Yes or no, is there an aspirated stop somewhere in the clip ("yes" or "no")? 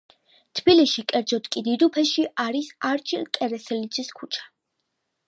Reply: yes